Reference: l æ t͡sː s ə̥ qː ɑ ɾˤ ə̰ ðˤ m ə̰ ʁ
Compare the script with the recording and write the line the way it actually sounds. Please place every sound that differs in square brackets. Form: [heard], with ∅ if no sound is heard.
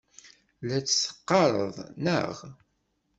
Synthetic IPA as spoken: l æ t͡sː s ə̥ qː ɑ ɾˤ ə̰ ðˤ [n] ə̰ ʁ